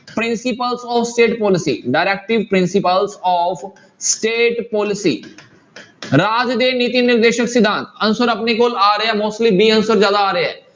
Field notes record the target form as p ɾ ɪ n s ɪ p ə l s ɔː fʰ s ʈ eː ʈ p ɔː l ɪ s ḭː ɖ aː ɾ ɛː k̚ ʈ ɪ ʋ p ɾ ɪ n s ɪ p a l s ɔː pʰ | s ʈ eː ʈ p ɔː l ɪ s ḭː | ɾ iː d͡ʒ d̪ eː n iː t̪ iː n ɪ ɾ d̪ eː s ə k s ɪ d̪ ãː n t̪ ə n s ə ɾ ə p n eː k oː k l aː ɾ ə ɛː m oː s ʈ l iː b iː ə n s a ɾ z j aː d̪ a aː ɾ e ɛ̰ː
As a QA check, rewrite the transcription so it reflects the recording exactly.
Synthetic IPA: p ɾ ɪ n s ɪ p ə l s ɔː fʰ s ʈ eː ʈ p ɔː l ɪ s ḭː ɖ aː ɾ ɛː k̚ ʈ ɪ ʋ p ɾ ɪ n s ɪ p ə l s ɔː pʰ | s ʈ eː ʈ p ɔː l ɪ s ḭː | ɾ aː d͡ʒ d̪ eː n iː t̪ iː n ɪ ɾ d̪ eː ʃ ə k s ɪ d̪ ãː n t̪ ə n s ə ɾ ə p n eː k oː l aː ɾ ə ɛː m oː s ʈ l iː b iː ə n s ə ɾ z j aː d̪ a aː ɾ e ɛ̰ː